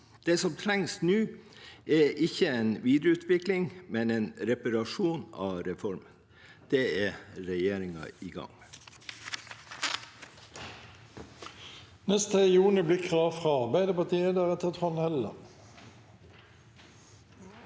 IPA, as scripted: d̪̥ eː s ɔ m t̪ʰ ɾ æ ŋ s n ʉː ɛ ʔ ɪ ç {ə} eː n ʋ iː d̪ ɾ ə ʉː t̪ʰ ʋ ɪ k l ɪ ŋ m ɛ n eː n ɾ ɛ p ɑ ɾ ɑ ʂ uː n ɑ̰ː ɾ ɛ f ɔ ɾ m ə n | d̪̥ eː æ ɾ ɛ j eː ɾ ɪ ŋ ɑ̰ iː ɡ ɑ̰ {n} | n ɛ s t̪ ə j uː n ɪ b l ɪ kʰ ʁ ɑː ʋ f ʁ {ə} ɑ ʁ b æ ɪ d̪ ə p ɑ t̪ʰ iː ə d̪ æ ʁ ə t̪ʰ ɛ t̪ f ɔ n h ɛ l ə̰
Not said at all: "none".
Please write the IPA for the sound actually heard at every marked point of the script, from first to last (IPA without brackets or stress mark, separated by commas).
ə, ŋ, ɑ